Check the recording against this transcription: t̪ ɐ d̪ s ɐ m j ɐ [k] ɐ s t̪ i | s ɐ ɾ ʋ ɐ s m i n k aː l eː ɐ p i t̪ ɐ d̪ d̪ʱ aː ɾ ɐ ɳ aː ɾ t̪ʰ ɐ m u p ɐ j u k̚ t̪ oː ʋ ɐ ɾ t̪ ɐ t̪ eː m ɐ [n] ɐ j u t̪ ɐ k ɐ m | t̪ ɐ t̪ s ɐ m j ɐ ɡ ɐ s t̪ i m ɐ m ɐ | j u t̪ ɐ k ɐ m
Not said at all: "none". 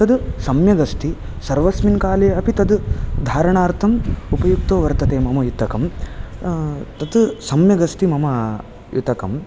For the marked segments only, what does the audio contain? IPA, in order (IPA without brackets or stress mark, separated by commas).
ɡ, m